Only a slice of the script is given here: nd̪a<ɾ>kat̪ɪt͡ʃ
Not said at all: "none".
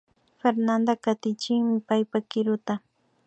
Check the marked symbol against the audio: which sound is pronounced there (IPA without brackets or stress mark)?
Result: none